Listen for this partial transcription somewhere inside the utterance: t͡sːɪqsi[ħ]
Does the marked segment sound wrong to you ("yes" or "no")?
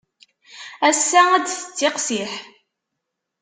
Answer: no